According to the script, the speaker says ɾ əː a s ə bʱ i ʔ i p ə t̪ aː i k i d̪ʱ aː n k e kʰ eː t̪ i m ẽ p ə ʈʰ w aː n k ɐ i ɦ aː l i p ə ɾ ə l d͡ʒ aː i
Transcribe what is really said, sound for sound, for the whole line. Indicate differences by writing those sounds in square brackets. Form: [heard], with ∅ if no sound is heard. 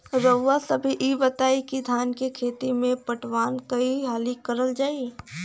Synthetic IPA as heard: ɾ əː a s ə bʱ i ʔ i [b] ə t̪ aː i k i d̪ʱ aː n k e kʰ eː t̪ i m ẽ p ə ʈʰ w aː n k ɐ i ɦ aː l i [k] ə ɾ ə l d͡ʒ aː i